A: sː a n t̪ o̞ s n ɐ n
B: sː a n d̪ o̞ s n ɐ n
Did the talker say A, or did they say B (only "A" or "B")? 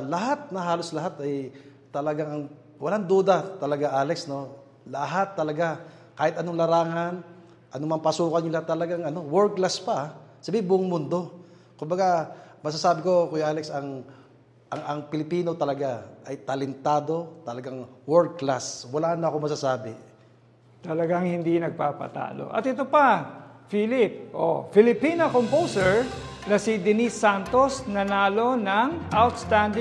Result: A